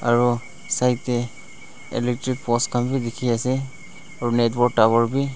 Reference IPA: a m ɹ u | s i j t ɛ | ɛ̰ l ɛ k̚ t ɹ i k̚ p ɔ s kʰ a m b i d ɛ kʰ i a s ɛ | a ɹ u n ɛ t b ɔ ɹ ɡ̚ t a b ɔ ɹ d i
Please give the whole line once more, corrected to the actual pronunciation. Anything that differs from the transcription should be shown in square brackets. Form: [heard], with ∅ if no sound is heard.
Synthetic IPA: a [∅] ɹ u | s [a] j t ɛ | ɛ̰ l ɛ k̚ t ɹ i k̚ p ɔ s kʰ a m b i d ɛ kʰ i a s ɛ | a ɹ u n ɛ t b ɔ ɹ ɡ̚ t a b ɔ ɹ [b] i

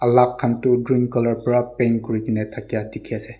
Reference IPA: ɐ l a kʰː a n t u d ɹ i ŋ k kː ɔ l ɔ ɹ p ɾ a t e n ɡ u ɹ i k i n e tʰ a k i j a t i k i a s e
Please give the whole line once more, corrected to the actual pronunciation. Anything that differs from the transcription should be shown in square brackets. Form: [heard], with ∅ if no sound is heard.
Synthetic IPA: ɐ l a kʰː a n t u d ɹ i ŋ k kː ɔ l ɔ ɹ p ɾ a [p] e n [k] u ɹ i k i n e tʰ a k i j a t i [kʰ] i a s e

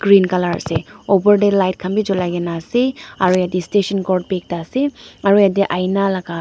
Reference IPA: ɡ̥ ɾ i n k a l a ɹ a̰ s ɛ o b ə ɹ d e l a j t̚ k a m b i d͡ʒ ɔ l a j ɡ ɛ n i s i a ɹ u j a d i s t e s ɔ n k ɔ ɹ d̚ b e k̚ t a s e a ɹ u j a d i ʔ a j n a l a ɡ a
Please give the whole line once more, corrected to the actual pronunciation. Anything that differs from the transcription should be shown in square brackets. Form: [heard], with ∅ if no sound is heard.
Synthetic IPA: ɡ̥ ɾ i n k a l a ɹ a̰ s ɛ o b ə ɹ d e l a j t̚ [kʰ] a m b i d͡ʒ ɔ l a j ɡ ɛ n [a] s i a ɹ u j a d i s t e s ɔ n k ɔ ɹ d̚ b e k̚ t a s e a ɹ u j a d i ʔ a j n a l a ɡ a

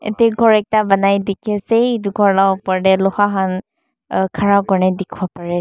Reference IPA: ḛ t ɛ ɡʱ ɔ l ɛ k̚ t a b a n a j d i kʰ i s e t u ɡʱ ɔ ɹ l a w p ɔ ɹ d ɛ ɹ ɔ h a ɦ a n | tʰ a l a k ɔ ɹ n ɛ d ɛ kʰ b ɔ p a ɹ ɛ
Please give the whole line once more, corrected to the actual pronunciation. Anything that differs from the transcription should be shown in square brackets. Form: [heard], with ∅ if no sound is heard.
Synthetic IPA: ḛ t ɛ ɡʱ ɔ [ɹ] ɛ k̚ t a b a n a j d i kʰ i s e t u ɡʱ ɔ ɹ l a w p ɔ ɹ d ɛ [l] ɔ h a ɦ a n | [kʰ] a [ɹ] a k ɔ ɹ n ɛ d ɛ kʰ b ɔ p a ɹ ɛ

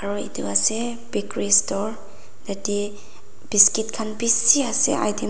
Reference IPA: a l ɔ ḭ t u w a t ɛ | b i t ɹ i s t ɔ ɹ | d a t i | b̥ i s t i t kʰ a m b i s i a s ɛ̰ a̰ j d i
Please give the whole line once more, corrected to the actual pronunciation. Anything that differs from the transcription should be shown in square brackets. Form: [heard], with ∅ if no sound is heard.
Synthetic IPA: a [ɹ] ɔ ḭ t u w a [s] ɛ | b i [k] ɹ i s t ɔ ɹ | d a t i | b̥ i s [k] i t kʰ a [n] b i s i a s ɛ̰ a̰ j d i

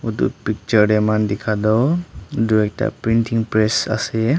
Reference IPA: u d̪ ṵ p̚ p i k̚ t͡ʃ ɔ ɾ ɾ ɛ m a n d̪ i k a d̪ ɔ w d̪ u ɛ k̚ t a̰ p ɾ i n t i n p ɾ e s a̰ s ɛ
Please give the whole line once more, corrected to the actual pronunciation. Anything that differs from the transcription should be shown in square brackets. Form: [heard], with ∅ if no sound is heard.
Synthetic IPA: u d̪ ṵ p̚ p i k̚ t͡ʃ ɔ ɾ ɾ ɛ m a n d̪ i [kʰ] a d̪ ɔ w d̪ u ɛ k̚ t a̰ p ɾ i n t i [ŋ] p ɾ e s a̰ s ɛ

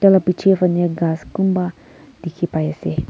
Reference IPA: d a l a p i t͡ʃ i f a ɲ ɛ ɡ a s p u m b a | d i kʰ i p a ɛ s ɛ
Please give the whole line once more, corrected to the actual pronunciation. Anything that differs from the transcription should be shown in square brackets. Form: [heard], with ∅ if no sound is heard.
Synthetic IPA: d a l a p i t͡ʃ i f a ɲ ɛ ɡ a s [k] u m b a | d i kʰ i p a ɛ s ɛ

